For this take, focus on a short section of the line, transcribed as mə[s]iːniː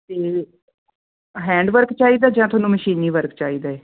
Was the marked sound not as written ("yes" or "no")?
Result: yes